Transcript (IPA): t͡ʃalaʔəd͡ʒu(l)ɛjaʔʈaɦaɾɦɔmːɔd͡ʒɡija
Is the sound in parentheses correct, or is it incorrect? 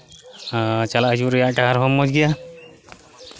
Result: incorrect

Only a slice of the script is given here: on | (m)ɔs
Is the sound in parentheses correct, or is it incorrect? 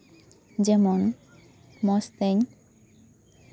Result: correct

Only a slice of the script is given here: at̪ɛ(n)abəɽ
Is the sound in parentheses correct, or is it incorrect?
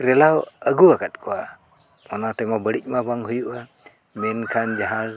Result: incorrect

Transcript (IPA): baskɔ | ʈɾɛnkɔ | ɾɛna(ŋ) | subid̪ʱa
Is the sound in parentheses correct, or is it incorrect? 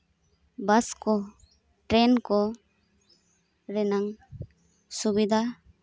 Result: correct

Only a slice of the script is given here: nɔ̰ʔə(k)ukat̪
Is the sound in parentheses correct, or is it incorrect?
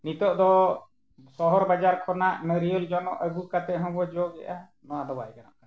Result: incorrect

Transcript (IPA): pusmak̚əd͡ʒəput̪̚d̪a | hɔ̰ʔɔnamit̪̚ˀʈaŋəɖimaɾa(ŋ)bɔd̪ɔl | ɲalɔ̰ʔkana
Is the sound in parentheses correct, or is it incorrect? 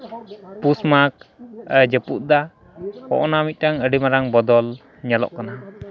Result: correct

